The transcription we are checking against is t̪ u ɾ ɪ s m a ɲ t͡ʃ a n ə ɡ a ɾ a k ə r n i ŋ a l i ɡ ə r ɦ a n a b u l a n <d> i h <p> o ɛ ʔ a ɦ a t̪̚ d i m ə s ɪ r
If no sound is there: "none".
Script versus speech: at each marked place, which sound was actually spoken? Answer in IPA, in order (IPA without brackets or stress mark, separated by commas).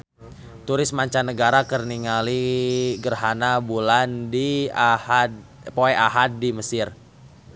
d, p